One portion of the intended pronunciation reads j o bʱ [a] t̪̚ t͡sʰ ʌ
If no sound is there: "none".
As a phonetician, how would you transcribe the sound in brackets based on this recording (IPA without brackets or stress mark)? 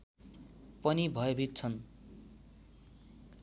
i